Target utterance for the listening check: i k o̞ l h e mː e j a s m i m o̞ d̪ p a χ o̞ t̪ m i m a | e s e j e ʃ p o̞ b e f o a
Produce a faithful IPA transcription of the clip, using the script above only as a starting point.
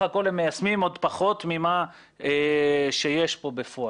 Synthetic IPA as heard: a k o̞ l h e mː e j a s m i m o̞ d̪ p a χ o̞ t̪ m i m a | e ʃ e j e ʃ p o̞ b e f o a